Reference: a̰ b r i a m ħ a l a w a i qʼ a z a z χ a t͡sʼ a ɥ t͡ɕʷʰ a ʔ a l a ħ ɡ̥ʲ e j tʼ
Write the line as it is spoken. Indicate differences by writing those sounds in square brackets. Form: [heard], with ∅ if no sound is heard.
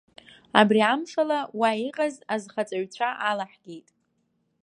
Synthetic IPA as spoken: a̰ b r i a m [ʂ] a l a w a i qʼ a z a z χ a t͡sʼ a ɥ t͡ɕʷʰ a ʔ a l a ħ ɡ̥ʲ e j tʼ